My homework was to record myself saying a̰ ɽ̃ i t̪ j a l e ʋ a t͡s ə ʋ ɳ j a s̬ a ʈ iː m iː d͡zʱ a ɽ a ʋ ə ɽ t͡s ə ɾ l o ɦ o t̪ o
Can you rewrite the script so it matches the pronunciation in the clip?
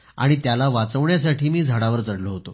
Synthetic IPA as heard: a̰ ɽ̃ i t̪ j a l a ʋ a t͡s ə ʋ ɳ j a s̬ a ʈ iː m iː d͡zʱ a ɽ a ʋ ə ɾ t͡s ə ɽ l o ɦ o t̪ o